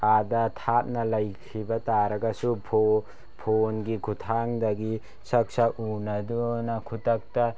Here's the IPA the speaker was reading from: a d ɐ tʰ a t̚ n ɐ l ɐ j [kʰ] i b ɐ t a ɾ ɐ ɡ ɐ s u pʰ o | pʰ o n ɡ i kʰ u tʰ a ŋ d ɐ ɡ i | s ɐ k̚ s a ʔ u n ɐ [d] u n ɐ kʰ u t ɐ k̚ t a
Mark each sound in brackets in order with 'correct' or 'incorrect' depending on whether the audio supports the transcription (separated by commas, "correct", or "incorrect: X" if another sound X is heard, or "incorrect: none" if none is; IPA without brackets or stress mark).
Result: correct, correct